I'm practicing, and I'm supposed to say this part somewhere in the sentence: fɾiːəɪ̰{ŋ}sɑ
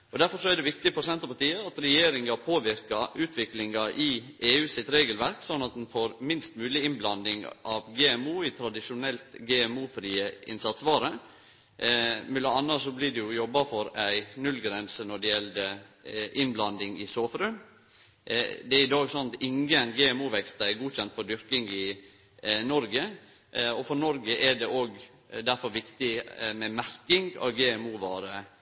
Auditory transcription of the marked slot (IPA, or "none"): n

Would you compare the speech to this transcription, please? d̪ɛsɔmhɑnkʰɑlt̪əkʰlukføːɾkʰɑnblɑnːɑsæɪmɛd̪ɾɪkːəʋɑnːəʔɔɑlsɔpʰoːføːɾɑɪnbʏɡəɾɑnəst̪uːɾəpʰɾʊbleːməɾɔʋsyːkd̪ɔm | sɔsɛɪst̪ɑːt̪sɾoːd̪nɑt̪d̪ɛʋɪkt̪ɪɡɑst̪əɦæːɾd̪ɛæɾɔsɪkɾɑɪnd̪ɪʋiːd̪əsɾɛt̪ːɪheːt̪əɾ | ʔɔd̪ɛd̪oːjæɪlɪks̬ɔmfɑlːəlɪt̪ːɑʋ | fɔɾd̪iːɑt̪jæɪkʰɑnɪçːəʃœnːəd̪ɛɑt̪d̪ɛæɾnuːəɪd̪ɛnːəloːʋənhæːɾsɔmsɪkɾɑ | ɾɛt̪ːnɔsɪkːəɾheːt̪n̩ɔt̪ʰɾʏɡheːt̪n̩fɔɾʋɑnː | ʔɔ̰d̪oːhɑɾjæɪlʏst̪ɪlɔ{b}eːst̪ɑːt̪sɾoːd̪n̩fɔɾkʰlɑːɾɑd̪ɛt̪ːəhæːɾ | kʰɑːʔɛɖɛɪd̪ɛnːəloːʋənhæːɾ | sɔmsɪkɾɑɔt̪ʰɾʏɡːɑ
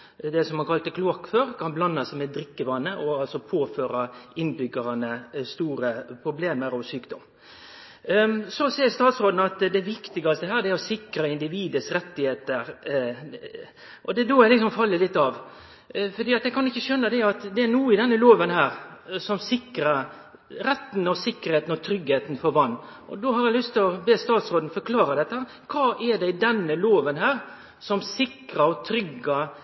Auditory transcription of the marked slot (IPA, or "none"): b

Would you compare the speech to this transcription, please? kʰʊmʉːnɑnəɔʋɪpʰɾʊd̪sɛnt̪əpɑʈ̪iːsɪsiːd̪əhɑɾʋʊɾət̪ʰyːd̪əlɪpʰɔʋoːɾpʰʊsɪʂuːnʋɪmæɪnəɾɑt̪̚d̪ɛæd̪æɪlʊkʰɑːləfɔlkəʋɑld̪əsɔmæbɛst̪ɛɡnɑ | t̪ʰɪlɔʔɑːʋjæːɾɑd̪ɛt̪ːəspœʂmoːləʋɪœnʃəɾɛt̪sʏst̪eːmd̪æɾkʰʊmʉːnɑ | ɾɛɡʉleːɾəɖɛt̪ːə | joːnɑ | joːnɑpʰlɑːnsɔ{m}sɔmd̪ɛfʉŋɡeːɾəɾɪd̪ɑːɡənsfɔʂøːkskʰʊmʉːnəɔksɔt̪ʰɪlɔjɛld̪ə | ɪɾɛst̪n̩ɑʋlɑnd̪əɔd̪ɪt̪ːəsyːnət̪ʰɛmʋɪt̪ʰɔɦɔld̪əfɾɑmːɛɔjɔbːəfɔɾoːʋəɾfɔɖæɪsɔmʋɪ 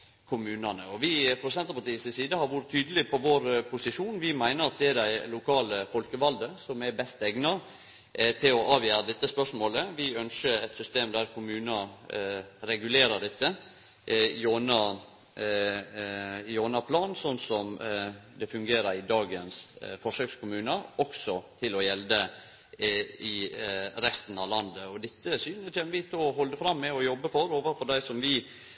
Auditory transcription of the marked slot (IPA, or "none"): n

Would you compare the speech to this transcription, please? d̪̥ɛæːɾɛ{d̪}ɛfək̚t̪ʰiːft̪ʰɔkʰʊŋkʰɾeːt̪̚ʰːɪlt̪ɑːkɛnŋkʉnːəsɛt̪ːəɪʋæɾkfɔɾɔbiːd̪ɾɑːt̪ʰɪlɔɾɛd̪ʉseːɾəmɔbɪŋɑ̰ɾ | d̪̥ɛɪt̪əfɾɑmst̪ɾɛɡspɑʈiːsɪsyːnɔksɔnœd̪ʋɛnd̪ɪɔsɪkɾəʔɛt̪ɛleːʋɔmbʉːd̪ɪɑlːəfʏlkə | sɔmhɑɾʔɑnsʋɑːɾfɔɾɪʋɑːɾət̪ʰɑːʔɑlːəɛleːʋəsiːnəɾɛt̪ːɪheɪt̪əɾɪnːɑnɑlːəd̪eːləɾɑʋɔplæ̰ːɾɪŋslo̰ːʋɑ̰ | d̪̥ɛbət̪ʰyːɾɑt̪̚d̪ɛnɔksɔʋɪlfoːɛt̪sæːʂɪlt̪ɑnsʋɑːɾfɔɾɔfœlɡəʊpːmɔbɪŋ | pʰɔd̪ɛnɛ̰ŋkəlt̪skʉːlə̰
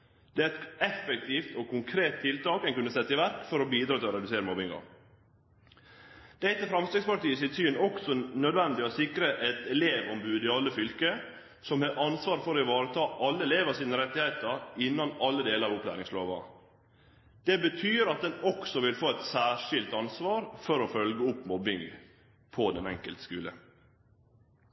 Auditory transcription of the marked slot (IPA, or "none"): t̪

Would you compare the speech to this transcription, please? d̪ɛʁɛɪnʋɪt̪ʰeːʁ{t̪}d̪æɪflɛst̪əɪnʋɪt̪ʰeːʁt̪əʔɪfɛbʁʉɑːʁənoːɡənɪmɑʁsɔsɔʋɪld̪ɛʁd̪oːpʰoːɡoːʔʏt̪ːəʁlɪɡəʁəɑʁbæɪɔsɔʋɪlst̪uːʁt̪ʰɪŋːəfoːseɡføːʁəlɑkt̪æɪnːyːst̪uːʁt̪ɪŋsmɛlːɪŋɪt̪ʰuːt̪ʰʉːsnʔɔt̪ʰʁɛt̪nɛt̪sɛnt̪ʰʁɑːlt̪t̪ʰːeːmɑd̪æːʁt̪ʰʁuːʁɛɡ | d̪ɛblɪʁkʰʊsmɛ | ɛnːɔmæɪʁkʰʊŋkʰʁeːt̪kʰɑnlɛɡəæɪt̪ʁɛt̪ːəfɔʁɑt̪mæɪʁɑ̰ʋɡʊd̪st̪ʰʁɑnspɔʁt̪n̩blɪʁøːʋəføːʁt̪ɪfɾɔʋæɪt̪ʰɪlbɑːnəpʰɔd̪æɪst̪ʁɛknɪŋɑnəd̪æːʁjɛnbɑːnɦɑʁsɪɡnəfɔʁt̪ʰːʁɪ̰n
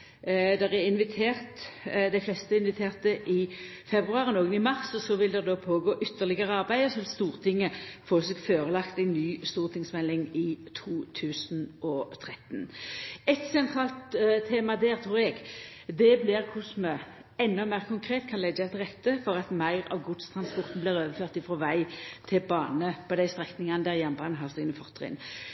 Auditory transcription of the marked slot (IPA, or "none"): t̪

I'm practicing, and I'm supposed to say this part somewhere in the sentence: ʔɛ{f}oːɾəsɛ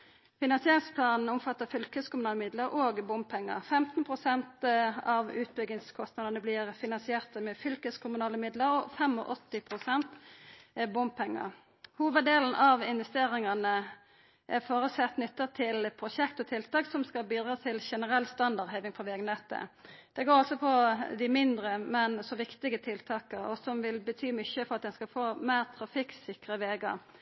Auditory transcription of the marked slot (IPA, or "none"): f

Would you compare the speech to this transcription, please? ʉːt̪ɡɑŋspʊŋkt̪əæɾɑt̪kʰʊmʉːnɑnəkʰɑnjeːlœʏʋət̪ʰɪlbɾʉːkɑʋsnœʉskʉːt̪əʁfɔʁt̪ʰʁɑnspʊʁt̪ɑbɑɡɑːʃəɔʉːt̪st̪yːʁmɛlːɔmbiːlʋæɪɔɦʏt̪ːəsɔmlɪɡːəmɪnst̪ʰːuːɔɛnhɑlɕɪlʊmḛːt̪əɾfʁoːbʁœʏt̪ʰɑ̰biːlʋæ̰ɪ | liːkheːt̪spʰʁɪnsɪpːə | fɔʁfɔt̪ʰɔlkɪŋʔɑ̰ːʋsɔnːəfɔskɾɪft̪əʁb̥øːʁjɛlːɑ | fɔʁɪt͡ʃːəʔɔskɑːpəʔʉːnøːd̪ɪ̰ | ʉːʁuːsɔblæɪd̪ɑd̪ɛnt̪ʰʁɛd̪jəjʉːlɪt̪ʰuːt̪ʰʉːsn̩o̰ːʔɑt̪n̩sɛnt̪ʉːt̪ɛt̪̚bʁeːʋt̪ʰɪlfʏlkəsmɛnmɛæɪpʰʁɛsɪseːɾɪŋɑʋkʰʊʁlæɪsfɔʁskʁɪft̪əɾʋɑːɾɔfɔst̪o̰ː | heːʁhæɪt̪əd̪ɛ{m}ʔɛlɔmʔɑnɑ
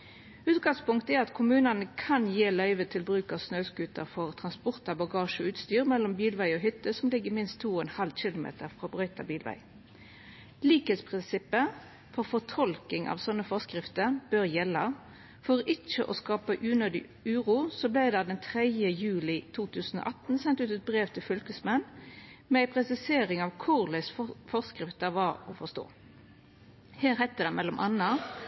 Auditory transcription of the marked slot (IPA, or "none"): m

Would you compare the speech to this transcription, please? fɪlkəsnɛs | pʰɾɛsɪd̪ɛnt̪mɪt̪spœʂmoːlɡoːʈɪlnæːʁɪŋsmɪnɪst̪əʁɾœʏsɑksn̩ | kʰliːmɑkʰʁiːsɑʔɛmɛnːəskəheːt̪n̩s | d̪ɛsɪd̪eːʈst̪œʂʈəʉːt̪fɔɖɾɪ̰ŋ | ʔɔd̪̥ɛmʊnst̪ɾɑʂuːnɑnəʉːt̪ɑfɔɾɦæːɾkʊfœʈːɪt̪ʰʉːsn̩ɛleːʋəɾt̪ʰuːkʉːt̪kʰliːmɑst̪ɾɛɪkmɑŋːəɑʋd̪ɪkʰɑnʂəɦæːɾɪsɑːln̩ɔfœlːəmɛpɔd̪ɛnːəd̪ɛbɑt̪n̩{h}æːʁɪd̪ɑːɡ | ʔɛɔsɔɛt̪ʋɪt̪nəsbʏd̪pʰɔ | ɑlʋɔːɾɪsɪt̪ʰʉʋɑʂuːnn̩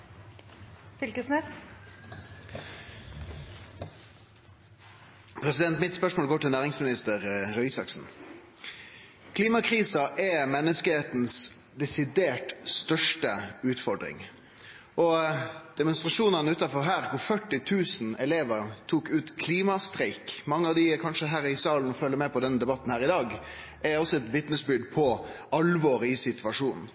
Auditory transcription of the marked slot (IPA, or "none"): h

